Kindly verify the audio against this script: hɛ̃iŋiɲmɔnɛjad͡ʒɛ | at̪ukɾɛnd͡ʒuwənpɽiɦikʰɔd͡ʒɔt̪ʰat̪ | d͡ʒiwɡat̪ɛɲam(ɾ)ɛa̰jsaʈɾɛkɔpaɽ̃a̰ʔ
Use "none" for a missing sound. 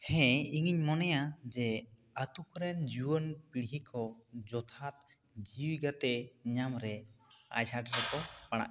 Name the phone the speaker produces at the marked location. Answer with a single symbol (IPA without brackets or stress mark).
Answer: ɾ